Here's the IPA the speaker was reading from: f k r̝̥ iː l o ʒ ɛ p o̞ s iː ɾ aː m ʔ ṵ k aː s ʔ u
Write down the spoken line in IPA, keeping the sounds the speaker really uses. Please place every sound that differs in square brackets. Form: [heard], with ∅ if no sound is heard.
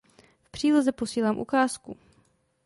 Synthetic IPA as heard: f [p] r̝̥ iː l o [z] ɛ p o̞ s iː [l] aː m ʔ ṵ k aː s [k] u